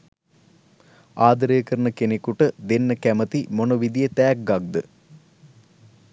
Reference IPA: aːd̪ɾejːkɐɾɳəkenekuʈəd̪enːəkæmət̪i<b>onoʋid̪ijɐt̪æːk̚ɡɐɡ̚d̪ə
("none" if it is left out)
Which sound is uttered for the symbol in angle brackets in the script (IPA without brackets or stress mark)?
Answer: m